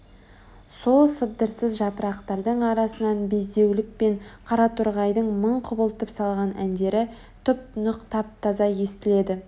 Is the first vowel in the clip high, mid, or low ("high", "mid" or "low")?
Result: mid